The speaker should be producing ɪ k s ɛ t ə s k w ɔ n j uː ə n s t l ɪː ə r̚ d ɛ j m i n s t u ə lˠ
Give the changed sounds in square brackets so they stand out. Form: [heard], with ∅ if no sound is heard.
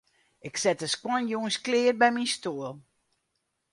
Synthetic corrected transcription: ɪ k s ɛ t ə s k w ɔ n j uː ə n s [k] l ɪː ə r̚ [b] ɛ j m i n s t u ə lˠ

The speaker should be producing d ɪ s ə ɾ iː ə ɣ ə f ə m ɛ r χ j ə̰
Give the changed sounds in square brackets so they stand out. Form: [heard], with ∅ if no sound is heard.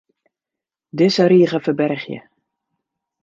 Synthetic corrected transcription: d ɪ s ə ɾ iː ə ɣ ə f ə [b] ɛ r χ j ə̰

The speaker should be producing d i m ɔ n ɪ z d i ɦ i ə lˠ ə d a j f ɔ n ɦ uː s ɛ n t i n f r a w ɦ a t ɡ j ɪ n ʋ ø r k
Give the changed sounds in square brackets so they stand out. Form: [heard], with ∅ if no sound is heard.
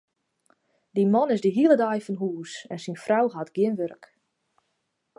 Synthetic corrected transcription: d i m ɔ n ɪ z d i ɦ i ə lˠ ə d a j f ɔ n ɦ uː s ɛ n [s] i n f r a w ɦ a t ɡ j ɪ n ʋ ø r k

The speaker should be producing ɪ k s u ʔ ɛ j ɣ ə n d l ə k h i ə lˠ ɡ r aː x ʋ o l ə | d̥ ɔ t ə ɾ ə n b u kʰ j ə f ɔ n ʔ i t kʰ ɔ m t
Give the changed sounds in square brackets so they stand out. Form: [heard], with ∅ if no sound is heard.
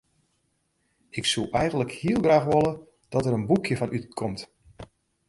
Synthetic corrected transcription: ɪ k s u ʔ ɛ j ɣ ə n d l ə k h i ə lˠ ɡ r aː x ʋ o l ə | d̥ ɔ t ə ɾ ə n b u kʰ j ə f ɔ n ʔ [y] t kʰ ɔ m t

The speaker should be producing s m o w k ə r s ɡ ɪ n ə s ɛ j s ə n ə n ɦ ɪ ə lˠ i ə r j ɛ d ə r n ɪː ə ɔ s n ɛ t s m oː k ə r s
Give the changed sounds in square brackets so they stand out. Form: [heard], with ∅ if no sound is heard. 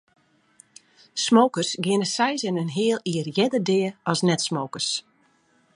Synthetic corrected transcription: s m o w k ə r s ɡ ɪ n ə s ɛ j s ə n ə n ɦ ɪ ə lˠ i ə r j ɛ d ə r [d] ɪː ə ɔ s n ɛ t s m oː k ə r s

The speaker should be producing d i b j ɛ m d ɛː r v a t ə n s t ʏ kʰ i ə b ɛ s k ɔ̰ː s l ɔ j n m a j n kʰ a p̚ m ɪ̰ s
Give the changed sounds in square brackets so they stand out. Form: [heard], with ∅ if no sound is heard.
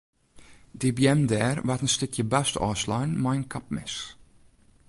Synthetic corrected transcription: d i b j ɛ m d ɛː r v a t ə n s t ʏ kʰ [j] ə b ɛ s [t] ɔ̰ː s l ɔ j n m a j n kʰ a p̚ m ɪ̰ s

